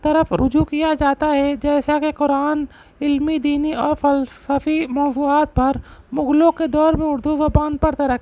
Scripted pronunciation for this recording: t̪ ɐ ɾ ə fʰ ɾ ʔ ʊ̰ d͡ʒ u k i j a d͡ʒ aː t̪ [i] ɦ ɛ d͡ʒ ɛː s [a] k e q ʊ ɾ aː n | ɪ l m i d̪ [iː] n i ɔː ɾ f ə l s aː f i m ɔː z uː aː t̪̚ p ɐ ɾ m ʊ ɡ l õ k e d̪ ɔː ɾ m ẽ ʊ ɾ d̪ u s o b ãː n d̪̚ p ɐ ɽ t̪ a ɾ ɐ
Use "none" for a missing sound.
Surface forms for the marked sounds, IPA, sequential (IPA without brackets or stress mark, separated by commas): a, a, iː